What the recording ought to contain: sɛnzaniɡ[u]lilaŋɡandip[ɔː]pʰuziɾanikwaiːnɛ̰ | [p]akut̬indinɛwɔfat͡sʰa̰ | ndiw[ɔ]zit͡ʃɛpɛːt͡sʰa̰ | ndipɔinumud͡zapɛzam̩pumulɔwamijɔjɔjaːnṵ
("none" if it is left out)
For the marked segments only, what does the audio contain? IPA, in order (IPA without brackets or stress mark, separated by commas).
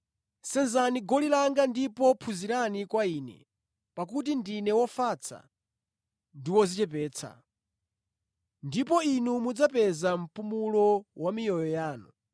ɔ, ɔ, p, ɔ